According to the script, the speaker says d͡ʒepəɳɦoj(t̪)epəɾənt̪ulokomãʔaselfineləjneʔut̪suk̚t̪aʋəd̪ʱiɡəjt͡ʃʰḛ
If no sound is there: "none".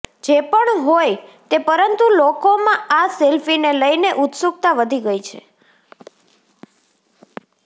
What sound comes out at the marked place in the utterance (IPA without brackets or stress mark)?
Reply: t̪